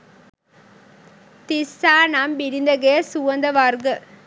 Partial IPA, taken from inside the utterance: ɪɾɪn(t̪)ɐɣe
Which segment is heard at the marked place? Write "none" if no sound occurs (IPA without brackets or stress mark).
d̪